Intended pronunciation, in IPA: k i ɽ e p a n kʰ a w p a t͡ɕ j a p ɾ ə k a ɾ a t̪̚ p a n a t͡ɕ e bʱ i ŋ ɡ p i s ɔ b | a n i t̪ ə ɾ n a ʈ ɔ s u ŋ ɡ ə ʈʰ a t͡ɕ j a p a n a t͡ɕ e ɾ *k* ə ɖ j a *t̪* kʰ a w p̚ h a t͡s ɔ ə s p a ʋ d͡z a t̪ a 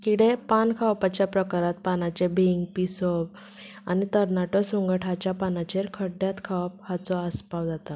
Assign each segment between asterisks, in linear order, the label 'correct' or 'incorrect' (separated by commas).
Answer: incorrect, correct